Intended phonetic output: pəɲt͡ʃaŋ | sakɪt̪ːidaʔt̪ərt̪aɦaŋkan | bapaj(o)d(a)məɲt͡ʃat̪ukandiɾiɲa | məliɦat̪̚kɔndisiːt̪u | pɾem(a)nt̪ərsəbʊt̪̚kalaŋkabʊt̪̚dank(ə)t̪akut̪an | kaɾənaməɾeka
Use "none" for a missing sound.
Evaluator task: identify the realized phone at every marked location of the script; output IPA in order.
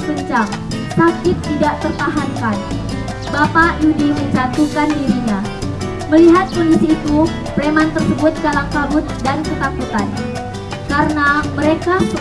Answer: u, i, a, ə

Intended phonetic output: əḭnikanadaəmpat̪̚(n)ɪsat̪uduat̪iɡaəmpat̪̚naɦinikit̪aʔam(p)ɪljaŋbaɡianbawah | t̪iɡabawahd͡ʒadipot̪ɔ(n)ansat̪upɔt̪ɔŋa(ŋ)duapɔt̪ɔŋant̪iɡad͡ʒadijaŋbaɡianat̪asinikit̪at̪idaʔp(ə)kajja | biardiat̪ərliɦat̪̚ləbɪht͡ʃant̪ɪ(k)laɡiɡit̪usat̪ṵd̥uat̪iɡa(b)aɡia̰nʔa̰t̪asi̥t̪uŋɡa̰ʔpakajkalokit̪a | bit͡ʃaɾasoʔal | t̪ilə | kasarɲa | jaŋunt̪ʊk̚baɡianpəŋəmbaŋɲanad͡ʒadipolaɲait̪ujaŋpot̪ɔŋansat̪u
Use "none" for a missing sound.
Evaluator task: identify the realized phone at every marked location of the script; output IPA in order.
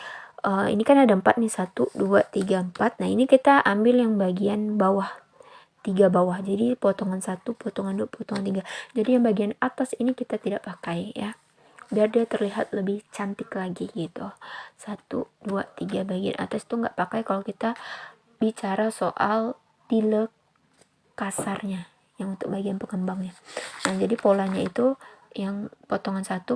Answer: n, b, ŋ, n, a, k, b

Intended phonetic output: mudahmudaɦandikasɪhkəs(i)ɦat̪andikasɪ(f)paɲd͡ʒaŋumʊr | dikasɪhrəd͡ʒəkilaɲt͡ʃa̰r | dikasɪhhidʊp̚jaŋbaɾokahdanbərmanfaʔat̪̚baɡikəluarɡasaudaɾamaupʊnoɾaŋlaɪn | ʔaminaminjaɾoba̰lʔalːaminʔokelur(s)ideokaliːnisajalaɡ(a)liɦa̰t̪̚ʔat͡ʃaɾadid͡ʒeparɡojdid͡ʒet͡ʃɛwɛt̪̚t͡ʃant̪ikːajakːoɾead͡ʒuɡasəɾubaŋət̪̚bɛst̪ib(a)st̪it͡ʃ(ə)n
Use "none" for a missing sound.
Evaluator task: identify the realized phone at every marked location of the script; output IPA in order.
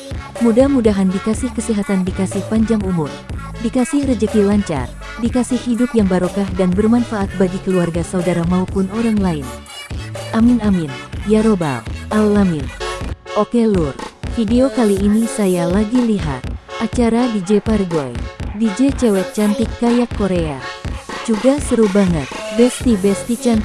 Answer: i, h, f, i, ɛ, a

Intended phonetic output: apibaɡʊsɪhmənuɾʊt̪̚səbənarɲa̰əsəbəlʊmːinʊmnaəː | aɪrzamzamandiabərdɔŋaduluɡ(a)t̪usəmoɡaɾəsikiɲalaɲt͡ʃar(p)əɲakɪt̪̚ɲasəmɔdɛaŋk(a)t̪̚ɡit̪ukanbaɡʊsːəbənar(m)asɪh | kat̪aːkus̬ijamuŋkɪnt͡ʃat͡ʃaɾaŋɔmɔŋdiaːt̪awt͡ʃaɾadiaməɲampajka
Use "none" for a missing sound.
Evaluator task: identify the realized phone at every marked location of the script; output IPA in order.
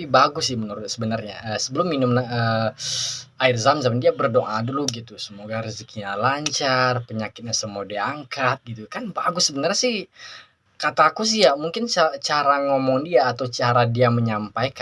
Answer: i, p, a, ɲ

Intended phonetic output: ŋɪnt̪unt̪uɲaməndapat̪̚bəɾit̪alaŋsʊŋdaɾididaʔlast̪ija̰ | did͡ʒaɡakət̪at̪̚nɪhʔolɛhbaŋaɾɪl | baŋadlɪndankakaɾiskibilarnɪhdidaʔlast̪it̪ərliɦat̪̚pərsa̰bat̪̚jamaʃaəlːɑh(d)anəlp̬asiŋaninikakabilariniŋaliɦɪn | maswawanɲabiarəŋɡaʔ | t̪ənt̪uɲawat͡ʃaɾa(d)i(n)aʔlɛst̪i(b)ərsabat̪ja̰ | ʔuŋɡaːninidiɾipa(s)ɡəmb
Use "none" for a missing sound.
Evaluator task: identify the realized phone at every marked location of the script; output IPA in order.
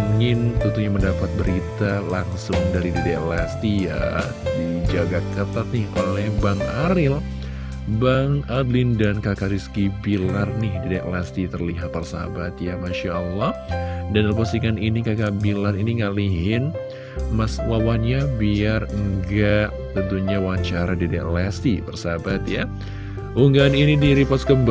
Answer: d, d, d, p, s

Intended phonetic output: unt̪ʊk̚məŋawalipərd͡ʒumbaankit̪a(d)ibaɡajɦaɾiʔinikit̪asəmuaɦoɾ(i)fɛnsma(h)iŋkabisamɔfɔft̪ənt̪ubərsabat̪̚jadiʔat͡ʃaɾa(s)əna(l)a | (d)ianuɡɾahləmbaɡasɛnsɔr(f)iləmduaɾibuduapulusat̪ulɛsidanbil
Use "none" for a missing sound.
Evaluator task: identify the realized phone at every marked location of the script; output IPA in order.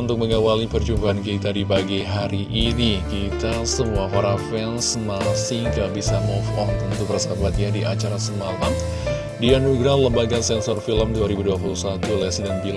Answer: d, a, s, s, l, d, f

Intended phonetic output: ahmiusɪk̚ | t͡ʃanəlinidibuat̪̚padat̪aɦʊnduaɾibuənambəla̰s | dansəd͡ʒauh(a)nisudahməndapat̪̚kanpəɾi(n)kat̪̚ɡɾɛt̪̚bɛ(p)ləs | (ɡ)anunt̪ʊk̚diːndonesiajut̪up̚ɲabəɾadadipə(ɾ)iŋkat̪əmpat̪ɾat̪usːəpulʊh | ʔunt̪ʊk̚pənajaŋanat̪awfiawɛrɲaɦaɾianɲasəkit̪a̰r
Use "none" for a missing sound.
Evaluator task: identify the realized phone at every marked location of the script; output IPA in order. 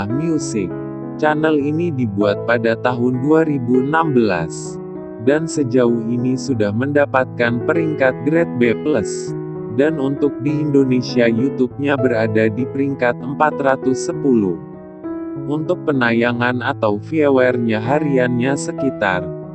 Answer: i, ŋ, p, d, ɾ

